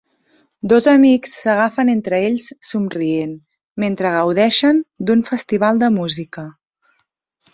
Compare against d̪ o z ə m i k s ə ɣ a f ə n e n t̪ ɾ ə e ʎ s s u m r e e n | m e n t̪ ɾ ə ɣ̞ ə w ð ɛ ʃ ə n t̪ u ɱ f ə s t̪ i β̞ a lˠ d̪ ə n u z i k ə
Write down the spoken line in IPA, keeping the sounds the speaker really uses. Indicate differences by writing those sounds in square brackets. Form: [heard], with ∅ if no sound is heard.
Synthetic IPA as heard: d̪ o z ə m i k [sː] ə ɣ a f ə n e n t̪ ɾ ə e ʎ s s u m r [i] e n | m e n t̪ ɾ ə ɣ̞ ə w ð ɛ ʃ ə n [d̪] u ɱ f ə s t̪ i β̞ a lˠ d̪ ə [m] u z i k ə